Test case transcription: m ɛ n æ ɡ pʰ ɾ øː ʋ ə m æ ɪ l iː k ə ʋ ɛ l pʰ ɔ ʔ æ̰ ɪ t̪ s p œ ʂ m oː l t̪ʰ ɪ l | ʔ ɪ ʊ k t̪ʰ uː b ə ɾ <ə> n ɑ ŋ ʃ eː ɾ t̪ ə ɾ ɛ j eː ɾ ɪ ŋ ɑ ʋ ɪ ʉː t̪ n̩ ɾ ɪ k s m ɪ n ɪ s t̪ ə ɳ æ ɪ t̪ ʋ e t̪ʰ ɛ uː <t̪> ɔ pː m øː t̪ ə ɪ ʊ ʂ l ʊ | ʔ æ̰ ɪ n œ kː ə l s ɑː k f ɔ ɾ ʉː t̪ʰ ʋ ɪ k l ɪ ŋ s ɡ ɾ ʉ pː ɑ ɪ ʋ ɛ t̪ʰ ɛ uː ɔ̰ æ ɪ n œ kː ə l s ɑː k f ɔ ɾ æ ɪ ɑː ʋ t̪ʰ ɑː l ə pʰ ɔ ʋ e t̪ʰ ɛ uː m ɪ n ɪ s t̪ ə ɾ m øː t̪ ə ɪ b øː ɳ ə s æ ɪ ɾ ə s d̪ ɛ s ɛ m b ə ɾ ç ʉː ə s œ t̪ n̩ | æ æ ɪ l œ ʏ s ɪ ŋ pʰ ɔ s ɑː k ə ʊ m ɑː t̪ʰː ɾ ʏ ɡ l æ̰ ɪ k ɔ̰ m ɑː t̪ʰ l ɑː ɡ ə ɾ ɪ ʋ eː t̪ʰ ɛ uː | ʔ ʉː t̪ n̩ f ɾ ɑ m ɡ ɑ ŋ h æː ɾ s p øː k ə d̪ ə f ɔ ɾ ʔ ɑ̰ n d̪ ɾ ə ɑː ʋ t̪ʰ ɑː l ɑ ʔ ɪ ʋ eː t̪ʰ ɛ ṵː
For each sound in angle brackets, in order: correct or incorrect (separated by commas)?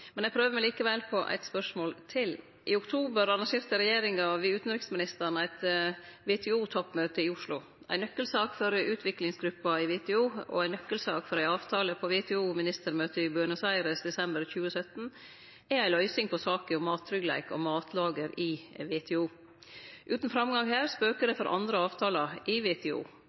incorrect, incorrect